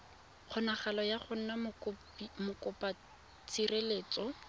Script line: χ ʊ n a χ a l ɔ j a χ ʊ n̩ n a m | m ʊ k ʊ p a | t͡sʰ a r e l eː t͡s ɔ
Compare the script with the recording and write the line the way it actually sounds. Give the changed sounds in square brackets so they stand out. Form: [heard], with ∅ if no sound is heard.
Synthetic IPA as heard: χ ʊ n a χ a l ɔ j a χ ʊ n̩ n a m | m ʊ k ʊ p a | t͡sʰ [i] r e l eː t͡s ɔ